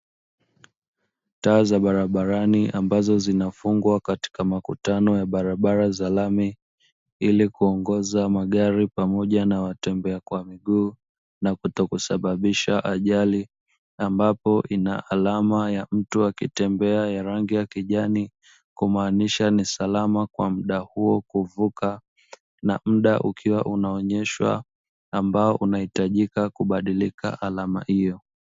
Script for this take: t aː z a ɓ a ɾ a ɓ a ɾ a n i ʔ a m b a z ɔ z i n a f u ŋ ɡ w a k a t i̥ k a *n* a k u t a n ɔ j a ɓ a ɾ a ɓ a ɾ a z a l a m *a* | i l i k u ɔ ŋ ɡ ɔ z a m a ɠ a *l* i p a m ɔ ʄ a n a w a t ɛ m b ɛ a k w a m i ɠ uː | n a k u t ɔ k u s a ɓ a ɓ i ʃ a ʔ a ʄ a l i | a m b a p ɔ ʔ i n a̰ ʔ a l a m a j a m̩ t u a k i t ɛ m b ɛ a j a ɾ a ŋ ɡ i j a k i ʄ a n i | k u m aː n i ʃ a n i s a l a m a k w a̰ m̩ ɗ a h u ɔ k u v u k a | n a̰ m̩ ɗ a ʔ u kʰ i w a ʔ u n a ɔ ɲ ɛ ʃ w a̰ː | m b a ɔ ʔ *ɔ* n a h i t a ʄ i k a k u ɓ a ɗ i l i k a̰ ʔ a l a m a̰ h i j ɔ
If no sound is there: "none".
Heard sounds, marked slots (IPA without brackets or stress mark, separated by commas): m, i, ɾ, u